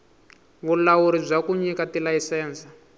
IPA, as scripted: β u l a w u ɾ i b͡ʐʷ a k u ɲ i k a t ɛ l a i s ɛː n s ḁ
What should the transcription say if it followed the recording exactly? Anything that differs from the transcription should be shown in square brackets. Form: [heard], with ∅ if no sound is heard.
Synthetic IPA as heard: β u l a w u ɾ i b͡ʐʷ a k u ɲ i k a t [i] l a i s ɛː n s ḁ